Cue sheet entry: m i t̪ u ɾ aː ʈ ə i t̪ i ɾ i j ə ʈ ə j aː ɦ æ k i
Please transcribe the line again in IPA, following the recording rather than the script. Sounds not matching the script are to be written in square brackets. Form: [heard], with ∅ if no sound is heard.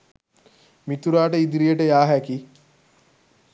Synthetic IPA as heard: m i t̪ u ɾ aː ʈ ə i [d̪] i ɾ i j ə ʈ ə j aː ɦ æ k i